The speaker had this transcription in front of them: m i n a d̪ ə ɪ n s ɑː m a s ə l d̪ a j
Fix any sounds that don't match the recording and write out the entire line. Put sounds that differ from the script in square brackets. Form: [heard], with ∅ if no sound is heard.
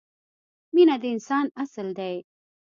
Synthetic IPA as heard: m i n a d̪ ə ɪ n s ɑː [n] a s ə l d̪ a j